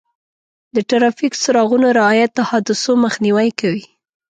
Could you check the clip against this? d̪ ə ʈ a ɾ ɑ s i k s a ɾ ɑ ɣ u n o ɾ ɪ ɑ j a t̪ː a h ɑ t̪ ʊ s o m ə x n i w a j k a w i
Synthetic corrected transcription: d̪ ə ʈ a ɾ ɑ f i k s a ɾ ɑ ɣ u n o ɾ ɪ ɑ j a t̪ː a h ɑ d̪ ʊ s o m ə x n i w a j k a w i

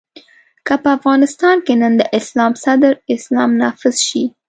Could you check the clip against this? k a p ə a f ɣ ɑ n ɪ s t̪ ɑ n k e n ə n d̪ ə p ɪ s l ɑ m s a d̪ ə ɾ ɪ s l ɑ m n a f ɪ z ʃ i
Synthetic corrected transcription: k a p ə a f ɣ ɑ n ɪ s t̪ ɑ n k e n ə n d̪ ə ʔ ɪ s l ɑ m s a d̪ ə ɾ ɪ s l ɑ m n ɑ f ɪ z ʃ i

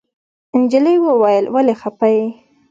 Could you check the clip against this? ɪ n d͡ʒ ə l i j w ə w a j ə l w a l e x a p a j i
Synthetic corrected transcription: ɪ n d͡ʒ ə l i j w ə w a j ə l w a l e x a p a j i

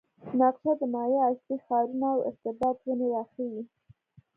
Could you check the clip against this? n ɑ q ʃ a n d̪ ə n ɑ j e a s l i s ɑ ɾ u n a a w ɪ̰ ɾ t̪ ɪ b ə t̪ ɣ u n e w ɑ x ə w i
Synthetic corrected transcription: n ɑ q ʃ a d̪ ə n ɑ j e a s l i x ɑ ɾ u n a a w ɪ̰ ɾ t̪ ɪ b ɑ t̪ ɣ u n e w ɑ x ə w i

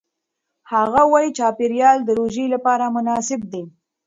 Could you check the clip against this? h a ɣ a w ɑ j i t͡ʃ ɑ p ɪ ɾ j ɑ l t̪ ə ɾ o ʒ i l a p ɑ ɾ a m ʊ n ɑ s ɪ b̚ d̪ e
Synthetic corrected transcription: h a ɣ a w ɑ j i t͡ʃ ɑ p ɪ ɾ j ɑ l d̪ ə ɾ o ʒ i l a p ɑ ɾ a m ʊ n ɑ s ɪ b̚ d̪ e

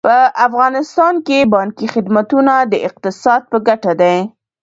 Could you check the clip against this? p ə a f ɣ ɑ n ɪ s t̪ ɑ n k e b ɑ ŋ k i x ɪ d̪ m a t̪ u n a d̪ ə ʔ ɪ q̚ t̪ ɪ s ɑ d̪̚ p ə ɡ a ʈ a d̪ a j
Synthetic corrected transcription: p ə a f ɣ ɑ n ɪ s t̪ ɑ n k e b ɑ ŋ k i x ɪ d̪ m a t̪ u n a d̪ ə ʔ ɪ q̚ t̪ ɪ s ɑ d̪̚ p ə ɡ a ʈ a d̪ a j

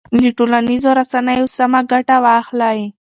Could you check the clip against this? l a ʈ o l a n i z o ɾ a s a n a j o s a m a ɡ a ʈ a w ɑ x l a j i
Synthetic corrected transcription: l i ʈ o l a n i z o ɾ a s a n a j o s a m a ɡ a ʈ a w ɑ x l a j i

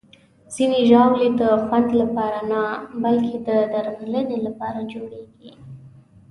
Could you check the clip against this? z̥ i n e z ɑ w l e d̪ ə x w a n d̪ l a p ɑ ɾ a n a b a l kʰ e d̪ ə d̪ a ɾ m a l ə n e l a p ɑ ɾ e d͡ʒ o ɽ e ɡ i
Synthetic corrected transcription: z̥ i n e ʒ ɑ w l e d̪ ə x w a n d̪ l a p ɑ ɾ a n a b a l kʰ e d̪ ə d̪ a ɾ m a l ə n e l a p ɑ ɾ a d͡ʒ o ɽ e ɡ i

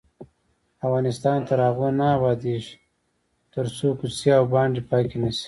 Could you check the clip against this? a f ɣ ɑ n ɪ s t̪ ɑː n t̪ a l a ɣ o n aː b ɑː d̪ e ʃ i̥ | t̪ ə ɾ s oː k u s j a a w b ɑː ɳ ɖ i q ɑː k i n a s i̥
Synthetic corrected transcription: a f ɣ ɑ n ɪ s t̪ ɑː n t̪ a ɾ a ɣ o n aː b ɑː d̪ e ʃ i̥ | t̪ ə ɾ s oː k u s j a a w b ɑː ɳ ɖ i p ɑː k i n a s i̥

